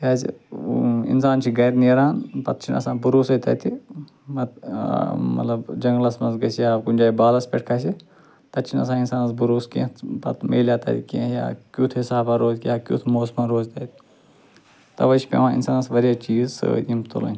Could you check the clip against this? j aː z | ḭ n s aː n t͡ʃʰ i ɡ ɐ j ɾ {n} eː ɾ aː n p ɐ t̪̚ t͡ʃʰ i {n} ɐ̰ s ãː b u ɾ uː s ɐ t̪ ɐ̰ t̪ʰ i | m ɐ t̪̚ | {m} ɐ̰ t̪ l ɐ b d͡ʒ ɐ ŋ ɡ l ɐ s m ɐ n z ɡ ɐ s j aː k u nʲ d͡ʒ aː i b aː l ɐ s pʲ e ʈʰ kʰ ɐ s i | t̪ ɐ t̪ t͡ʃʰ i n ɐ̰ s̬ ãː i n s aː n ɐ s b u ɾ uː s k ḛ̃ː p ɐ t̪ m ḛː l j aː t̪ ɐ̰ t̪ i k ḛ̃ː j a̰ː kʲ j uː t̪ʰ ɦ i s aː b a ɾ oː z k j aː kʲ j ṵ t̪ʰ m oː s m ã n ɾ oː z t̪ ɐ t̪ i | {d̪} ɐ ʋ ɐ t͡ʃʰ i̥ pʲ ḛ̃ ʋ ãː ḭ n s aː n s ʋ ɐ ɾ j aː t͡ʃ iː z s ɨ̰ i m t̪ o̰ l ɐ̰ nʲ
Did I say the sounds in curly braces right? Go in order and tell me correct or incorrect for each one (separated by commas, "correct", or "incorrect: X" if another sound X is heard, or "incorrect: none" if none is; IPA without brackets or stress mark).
correct, correct, correct, incorrect: t̪